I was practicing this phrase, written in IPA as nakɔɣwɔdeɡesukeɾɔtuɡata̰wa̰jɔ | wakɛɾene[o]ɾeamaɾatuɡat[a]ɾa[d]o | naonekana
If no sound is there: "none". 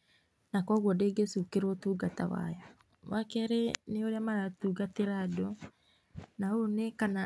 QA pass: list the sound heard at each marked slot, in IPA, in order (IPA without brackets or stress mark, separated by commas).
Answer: o, e, d